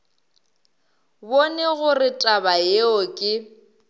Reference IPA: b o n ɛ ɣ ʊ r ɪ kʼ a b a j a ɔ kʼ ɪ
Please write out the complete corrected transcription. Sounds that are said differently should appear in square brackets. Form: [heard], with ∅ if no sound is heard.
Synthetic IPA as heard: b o n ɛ ɣ ʊ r ɪ [tʼ] a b a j [e] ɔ kʼ ɪ